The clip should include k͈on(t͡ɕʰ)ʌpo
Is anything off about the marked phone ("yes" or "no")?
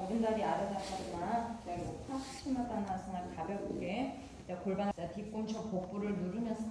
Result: no